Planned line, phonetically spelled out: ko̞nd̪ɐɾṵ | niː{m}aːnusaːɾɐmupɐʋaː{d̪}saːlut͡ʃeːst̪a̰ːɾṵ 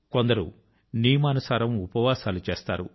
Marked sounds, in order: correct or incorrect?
correct, incorrect

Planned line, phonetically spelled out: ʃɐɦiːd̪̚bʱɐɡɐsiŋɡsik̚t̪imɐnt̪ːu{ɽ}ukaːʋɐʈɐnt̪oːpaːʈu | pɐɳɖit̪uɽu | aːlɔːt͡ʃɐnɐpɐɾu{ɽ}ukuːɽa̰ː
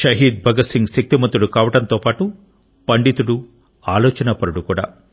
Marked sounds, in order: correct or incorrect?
correct, correct

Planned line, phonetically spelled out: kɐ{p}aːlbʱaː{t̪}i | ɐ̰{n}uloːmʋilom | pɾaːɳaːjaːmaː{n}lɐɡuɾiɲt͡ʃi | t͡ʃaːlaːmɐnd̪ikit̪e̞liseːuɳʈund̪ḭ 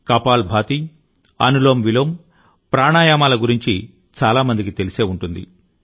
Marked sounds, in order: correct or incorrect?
correct, correct, correct, incorrect

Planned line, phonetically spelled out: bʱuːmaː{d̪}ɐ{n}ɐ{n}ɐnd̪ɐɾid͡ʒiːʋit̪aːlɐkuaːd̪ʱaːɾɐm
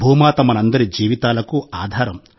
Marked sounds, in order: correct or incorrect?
incorrect, incorrect, correct

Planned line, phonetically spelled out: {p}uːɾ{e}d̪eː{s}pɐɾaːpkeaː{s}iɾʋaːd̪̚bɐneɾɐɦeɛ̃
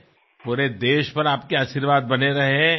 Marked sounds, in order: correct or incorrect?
correct, correct, incorrect, incorrect

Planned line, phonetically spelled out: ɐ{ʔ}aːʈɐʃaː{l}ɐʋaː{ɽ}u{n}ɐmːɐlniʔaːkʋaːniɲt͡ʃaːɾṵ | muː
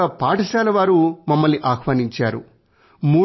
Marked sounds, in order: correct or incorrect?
incorrect, correct, incorrect, incorrect

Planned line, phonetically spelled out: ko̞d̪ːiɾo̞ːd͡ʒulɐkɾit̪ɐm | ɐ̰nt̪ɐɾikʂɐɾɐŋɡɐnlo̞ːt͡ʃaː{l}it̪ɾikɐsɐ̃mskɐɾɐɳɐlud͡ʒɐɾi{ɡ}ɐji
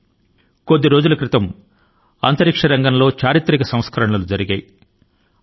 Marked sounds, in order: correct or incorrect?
incorrect, correct

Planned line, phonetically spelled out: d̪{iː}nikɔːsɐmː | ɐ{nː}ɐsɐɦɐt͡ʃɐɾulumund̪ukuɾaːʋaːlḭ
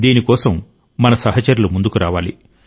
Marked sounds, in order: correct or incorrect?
correct, incorrect

